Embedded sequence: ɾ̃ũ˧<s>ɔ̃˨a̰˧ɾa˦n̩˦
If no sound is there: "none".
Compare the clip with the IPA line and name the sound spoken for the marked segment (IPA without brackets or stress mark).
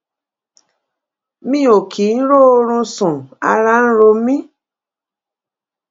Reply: s